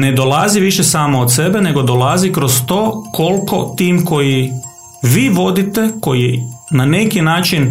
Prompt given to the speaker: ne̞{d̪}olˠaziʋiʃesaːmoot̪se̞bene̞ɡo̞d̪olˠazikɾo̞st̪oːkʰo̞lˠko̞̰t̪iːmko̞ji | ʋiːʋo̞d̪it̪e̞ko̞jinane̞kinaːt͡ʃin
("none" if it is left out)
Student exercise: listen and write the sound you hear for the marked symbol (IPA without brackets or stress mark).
d̪